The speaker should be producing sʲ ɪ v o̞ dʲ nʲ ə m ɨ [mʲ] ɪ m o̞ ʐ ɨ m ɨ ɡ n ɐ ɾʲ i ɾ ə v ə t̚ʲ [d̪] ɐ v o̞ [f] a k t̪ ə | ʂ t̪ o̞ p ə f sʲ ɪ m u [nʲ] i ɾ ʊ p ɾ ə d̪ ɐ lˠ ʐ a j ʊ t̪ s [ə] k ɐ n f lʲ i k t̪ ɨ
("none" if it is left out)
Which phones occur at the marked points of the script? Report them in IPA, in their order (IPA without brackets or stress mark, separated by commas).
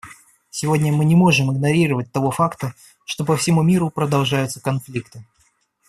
nʲ, t̪, f, mʲ, ə